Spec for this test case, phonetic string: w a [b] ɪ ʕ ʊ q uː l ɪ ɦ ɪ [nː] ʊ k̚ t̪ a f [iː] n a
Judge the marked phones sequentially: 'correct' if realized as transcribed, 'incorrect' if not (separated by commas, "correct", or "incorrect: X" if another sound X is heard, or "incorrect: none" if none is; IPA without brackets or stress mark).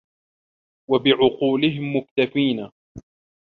correct, incorrect: mː, correct